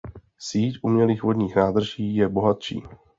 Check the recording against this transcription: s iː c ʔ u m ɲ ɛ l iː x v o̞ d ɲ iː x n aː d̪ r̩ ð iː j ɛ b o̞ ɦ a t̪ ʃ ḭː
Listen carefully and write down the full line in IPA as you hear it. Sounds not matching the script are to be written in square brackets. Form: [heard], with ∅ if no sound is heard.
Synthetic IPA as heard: s iː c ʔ u m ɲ ɛ l iː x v o̞ d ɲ iː x n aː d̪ r̩ [ʒ] iː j ɛ b o̞ ɦ a t̪ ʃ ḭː